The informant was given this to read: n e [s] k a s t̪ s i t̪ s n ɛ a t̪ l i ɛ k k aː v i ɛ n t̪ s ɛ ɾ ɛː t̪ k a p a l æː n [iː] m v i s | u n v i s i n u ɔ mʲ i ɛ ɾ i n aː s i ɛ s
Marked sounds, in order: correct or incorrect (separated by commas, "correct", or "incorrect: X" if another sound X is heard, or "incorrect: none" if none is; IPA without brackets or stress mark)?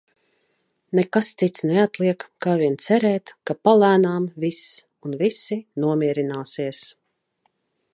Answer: incorrect: none, incorrect: aː